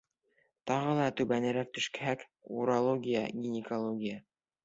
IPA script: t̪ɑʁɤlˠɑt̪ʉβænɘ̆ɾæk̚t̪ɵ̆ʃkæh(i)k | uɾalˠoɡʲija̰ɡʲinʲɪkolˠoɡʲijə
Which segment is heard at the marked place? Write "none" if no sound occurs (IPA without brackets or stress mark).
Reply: æ